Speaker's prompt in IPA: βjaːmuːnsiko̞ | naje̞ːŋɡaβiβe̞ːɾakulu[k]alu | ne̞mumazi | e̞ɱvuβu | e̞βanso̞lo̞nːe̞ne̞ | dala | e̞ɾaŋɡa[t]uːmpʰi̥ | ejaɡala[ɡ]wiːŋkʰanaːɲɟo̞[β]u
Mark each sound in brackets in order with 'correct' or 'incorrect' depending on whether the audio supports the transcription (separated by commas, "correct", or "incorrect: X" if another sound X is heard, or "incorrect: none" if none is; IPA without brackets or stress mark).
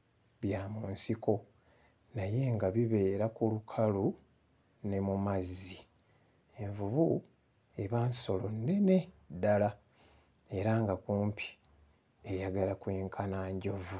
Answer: incorrect: kʰ, incorrect: k, incorrect: k, incorrect: v